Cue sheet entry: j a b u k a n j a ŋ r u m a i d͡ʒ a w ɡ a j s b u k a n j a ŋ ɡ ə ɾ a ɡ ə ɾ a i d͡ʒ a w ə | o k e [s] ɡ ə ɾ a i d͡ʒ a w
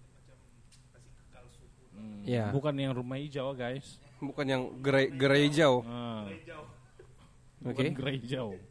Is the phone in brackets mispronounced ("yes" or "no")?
yes